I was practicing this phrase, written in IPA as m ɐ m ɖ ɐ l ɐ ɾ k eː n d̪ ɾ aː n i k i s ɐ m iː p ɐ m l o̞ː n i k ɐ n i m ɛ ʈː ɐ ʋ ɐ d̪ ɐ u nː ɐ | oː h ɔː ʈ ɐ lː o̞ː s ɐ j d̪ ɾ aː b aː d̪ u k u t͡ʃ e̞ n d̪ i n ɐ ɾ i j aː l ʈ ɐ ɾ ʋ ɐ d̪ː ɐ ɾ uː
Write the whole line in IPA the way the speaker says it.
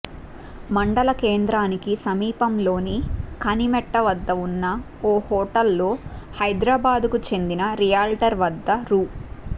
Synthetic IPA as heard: m ɐ ɳ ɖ ɐ l ɐ k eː n d̪ ɾ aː n i k i s ɐ m iː p ɐ m l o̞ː n i k ɐ n i m ɛ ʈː ɐ ʋ ɐ d̪ː ɐ u nː ɐ | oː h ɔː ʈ ɐ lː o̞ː h ɐ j d̪ ɾ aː b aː d̪ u k u t͡ʃ e̞ n d̪ i n ɐ ɾ i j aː l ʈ ɐ ɾ ʋ ɐ d̪ː ɐ ɾ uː